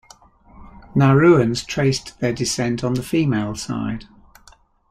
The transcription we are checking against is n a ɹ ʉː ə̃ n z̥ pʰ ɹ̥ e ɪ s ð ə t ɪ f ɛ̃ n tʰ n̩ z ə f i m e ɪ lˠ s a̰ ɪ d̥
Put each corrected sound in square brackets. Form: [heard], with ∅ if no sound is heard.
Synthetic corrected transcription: n a ɹ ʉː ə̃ n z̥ [tʰ] ɹ̥ e ɪ s ð ə [d] ɪ [s] ɛ̃ n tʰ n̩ [ð] ə f [iː] m e ɪ lˠ s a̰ ɪ d̥